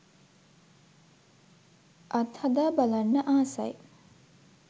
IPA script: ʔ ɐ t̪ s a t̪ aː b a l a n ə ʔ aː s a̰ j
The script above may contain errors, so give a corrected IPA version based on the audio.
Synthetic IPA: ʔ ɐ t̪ h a d̪ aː b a l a nː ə ʔ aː s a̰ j